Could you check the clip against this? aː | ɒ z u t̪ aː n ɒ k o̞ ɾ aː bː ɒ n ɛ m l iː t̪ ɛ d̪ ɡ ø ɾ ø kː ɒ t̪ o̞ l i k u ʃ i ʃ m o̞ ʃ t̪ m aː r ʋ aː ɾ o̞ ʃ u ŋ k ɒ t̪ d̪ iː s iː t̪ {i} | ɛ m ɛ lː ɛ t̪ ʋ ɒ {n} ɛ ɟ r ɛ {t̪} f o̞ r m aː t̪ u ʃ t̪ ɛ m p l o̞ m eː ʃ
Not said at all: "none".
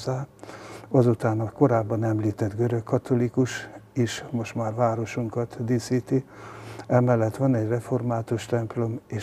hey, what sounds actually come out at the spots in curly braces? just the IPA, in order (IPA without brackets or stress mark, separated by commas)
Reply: i, n, none